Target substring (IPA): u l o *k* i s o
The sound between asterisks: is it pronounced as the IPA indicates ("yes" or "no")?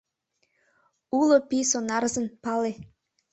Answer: no